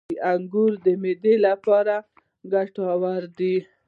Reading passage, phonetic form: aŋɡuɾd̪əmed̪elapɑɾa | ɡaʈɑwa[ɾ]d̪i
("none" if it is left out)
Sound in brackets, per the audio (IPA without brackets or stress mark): ɾ